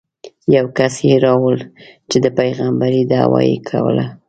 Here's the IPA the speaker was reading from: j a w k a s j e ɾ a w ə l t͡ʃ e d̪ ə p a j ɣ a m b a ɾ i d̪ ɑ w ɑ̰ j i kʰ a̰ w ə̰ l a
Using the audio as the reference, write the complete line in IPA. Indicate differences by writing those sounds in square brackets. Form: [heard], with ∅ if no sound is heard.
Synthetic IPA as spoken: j a w k a s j e ɾ [ɑ] w ə l t͡ʃ e d̪ ə p a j ɣ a m b a ɾ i d̪ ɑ w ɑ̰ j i kʰ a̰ w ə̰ l a